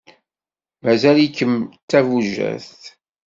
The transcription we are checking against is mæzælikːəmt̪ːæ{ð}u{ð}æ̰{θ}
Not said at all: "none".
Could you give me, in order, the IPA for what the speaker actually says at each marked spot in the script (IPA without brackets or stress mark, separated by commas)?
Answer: v, ʒ, θ